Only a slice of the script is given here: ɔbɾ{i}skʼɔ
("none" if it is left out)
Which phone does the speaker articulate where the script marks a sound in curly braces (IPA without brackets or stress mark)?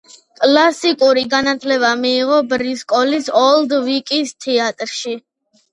i